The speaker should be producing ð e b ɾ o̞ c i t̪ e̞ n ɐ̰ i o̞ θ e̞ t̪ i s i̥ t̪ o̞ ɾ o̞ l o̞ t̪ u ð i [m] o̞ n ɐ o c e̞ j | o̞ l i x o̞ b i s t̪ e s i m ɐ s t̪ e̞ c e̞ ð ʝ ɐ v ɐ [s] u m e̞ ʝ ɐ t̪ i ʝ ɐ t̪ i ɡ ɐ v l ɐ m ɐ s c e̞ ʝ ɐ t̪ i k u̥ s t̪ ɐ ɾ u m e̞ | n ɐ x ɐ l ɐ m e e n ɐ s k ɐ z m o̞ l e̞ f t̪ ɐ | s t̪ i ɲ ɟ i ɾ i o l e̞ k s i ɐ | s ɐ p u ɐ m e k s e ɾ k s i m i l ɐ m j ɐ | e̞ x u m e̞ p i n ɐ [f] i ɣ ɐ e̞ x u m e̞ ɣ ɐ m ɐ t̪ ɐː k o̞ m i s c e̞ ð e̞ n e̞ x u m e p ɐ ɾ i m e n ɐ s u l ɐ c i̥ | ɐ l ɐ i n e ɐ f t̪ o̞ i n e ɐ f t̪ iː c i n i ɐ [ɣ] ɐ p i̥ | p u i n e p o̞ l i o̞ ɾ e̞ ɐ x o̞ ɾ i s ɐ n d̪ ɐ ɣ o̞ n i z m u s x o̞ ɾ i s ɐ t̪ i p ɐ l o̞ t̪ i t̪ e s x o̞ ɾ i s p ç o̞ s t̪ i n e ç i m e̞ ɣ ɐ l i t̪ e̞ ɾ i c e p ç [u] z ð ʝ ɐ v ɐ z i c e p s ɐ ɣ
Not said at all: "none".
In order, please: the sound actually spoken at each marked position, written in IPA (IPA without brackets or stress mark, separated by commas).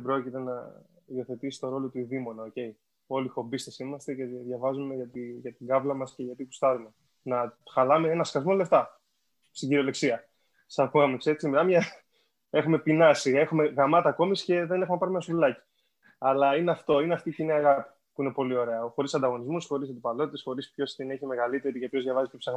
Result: m, z, s, ɣ, o